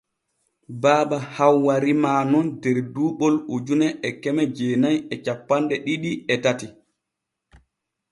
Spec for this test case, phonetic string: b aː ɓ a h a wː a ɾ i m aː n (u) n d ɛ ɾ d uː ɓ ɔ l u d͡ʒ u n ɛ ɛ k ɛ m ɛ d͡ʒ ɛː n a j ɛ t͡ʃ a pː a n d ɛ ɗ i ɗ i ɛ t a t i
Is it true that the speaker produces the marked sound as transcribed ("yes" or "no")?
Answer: no